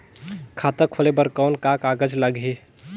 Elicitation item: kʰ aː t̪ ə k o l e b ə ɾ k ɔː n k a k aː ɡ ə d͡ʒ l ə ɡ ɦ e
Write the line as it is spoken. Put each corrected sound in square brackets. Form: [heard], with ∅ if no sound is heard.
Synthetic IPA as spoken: kʰ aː t̪ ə [kʰ] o l e b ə ɾ k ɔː n k a k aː ɡ ə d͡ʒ l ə ɡ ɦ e